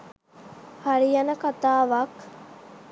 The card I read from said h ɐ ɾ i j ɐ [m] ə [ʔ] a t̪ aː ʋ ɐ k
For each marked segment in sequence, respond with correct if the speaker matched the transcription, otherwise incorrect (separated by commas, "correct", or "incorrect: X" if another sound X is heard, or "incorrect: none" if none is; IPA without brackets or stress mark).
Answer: incorrect: n, incorrect: k